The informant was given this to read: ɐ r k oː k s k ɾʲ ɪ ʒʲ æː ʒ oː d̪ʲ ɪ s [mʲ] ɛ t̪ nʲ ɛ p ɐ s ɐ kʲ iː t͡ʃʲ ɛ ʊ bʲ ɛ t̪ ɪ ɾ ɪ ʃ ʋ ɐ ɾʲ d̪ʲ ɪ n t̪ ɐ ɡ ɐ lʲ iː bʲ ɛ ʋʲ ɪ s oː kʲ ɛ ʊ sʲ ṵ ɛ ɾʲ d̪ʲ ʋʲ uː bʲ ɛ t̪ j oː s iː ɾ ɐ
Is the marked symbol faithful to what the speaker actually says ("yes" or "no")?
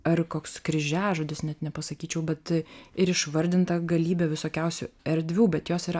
no